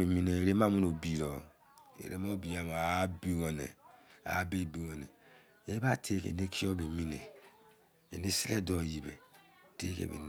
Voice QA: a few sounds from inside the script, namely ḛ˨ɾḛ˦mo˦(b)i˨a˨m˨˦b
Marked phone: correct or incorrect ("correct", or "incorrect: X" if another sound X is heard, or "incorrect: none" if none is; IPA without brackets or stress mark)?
correct